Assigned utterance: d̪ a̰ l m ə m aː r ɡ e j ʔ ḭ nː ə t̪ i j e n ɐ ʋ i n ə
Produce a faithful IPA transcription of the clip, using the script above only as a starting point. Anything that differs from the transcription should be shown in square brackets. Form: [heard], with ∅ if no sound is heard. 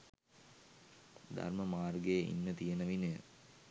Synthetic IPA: d̪ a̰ [r] m ə m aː r ɡ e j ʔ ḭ nː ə t̪ i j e n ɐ ʋ i n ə

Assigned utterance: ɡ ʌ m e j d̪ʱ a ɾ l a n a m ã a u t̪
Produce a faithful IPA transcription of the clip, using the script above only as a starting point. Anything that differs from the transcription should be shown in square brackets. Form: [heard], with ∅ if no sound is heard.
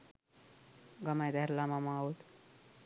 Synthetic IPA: ɡ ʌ m [a] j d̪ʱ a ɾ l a [m] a m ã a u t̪

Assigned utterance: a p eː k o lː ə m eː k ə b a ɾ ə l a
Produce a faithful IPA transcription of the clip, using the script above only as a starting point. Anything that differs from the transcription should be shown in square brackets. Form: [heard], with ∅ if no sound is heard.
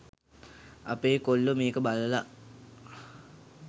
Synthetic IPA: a p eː k o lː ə m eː k ə b a [l] ə l a

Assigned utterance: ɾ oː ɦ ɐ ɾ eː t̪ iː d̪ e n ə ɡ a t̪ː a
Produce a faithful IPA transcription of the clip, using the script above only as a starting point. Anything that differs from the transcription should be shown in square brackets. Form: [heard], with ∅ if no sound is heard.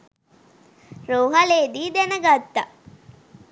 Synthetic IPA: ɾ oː ɦ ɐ [l] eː [d̪] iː d̪ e n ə ɡ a t̪ː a

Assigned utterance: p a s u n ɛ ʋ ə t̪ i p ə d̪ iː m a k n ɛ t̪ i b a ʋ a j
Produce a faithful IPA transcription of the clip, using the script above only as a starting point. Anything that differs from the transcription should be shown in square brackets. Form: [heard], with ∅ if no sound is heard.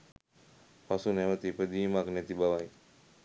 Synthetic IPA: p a s u n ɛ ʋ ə t̪ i p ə d̪ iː m a k n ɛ t̪ i b a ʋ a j

